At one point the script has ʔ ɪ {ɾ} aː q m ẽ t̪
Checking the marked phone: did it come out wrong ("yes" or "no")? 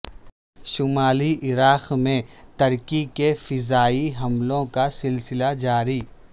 no